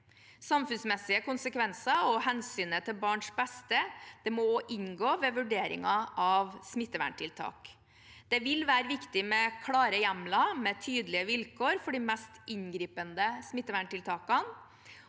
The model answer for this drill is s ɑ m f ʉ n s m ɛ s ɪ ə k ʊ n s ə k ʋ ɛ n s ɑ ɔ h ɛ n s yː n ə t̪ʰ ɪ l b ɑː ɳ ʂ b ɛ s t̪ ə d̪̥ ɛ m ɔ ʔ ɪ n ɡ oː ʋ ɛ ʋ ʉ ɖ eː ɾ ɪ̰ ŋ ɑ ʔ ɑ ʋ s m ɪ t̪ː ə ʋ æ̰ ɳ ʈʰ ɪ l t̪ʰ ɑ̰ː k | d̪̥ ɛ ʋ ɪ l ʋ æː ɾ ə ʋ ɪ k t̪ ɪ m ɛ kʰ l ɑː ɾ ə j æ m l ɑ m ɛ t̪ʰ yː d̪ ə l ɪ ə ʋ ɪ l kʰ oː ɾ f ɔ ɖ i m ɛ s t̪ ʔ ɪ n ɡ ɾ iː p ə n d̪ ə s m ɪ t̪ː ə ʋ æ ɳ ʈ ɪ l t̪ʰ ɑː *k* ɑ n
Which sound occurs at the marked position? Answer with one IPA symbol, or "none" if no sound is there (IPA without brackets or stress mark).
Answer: k